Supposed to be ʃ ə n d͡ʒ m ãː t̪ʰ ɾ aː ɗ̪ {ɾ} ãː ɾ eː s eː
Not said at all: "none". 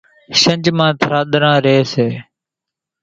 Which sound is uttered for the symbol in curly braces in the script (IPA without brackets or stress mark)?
ɾ